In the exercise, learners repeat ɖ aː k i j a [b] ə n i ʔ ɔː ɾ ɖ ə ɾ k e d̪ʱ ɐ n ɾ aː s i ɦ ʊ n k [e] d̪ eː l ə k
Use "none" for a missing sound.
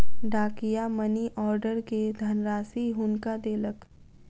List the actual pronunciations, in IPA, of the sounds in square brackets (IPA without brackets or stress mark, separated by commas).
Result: m, a